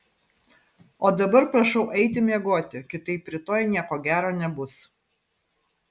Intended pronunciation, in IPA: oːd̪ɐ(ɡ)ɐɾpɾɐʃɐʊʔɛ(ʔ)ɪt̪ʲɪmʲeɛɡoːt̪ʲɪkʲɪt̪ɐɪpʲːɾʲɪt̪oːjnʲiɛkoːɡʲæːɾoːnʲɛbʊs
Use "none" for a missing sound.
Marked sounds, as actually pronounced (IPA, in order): b, none

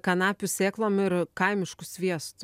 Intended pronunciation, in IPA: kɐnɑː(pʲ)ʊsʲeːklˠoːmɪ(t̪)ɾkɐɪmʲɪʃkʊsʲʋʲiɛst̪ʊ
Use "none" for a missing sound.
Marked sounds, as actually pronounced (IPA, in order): pʲ, none

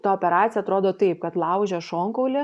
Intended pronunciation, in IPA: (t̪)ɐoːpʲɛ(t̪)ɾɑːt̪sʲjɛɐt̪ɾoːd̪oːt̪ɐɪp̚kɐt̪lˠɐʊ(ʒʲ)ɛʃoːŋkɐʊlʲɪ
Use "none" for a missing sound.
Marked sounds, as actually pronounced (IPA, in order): t̪, none, ʒʲ

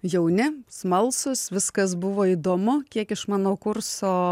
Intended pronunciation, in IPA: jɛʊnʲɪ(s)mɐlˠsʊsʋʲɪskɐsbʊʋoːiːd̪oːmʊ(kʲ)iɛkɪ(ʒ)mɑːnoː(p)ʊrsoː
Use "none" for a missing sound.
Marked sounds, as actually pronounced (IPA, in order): s, kʲ, ʃ, k

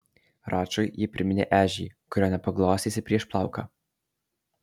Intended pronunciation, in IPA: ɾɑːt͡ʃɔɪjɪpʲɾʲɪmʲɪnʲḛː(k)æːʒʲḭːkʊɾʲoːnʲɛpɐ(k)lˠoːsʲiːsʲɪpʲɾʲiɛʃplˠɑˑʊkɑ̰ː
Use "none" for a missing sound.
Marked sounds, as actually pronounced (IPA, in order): ʔ, ɡ

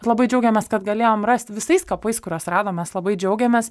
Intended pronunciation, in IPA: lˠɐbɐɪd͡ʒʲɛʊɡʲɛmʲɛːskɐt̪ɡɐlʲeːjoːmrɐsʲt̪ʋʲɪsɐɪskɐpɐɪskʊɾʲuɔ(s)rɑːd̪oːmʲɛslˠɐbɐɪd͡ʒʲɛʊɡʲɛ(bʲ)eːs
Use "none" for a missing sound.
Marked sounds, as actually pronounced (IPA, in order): s, mʲ

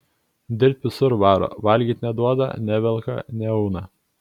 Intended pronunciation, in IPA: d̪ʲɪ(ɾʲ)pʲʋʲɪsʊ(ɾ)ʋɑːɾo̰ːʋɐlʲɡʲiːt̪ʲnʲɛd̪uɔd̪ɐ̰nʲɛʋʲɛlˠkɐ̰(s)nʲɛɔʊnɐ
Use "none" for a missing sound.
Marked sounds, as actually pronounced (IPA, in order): ɾʲ, ɾ, none

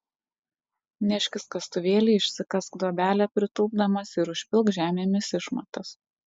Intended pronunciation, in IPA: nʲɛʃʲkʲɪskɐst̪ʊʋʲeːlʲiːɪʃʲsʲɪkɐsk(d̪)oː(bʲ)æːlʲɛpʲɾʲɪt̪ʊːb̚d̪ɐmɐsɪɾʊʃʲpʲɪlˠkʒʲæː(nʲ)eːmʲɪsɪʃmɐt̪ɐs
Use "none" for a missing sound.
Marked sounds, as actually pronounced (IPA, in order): d̪, bʲ, mʲ

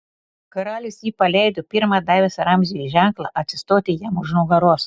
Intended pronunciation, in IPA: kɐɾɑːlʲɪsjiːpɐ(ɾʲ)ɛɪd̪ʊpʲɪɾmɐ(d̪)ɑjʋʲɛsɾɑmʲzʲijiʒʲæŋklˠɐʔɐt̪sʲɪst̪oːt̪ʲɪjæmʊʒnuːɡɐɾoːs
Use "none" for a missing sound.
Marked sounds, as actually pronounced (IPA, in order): lʲ, d̪

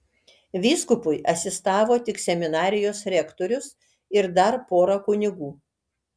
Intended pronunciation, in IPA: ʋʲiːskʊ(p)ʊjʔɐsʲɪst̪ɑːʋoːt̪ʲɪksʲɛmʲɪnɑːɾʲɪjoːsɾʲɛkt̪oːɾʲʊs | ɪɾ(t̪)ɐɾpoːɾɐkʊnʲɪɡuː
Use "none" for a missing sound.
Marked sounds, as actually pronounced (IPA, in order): p, d̪

